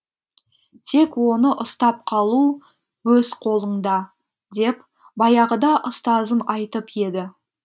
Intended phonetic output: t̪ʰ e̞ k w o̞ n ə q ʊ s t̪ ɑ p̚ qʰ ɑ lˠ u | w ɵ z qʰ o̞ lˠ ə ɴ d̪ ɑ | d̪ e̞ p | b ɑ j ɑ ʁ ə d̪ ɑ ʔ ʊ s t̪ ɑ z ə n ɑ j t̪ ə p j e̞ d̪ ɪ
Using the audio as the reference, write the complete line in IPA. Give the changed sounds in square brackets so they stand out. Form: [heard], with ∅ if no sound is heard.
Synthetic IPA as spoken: t̪ʰ e̞ k w o̞ n ə [ʔ] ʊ s t̪ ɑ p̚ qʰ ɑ lˠ u | w ɵ z qʰ o̞ lˠ ə ɴ d̪ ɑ | d̪ e̞ p | b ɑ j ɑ ʁ ə d̪ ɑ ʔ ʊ s t̪ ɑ z ə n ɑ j t̪ ə p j e̞ d̪ ɪ